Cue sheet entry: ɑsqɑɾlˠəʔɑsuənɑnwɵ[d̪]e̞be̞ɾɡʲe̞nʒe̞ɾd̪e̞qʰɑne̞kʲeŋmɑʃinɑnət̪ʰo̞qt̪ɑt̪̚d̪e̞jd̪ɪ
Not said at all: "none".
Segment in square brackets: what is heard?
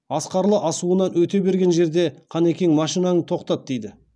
t̪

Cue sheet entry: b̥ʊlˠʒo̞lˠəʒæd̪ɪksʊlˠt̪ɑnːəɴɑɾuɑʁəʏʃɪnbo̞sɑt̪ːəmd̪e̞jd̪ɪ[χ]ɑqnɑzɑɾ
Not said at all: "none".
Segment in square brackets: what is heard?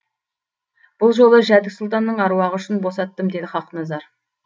χ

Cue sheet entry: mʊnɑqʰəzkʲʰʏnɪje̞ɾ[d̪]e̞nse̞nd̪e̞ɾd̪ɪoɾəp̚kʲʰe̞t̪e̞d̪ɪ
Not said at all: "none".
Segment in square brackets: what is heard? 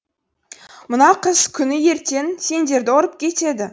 t̪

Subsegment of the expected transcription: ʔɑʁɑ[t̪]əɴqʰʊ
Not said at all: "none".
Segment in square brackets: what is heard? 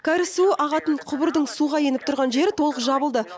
t̪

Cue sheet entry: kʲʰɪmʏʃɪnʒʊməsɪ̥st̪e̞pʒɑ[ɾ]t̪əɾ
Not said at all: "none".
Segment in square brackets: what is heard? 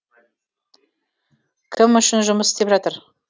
none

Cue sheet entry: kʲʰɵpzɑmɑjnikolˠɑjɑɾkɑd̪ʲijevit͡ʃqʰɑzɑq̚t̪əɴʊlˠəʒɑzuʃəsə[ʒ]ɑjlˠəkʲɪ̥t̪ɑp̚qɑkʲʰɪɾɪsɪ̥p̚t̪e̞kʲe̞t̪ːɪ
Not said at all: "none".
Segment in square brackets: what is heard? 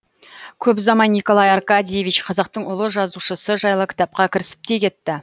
ʒ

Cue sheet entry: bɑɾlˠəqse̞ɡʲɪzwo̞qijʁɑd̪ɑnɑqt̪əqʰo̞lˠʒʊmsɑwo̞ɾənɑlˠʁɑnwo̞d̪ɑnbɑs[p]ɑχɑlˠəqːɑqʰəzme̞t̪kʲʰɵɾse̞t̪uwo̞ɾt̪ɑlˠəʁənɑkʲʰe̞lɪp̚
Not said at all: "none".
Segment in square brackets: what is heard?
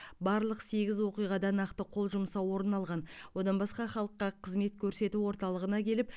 q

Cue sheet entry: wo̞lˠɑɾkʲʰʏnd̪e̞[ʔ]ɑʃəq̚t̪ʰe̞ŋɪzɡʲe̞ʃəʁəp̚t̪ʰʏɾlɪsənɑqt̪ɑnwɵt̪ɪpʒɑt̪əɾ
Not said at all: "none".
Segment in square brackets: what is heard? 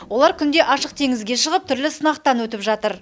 ʔ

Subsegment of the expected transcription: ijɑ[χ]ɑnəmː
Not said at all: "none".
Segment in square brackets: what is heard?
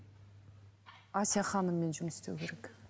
χ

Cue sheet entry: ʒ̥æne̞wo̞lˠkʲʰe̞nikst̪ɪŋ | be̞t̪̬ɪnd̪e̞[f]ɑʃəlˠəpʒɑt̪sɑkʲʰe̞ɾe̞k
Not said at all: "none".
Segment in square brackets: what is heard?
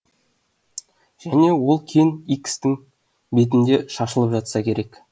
ʃ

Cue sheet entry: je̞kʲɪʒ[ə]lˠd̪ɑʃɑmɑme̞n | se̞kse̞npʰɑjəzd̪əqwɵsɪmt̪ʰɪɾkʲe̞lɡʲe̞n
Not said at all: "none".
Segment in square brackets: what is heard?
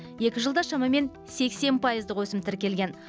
ə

